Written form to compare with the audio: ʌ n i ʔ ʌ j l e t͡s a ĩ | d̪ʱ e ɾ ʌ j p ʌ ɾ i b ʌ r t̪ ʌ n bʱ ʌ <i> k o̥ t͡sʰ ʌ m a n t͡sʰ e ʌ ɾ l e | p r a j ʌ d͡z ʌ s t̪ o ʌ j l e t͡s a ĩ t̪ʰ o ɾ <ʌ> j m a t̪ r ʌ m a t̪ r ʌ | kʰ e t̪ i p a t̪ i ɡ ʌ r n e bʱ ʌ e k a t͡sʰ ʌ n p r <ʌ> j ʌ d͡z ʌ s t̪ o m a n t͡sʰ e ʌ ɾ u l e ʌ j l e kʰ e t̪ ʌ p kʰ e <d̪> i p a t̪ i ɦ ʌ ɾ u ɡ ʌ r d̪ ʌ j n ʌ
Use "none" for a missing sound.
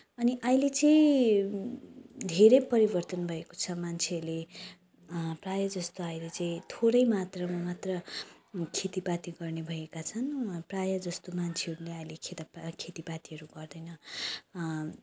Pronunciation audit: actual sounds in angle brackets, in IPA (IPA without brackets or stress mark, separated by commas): e, ʌ, a, t̪